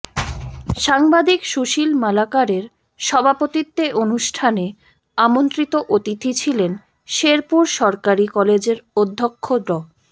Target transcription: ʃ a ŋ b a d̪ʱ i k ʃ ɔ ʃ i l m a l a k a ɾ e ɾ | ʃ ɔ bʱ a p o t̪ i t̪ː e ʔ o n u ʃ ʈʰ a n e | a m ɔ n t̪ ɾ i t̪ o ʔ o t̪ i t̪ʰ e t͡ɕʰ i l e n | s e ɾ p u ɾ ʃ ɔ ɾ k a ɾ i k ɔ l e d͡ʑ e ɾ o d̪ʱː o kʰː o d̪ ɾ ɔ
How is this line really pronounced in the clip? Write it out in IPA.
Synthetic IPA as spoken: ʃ a ŋ b a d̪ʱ i k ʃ u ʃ i l m a l a k a ɾ e ɾ | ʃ ɔ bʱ a p o t̪ i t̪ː e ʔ o n u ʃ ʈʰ a n e | a m o n t̪ ɾ i t̪ o ʔ o t̪ i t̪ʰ i t͡ɕʰ i l e n | ʃ e ɾ p u ɾ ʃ ɔ ɾ k a ɾ i k ɔ l e d͡ʑ e ɾ o d̪ʱː o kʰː o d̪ ɾ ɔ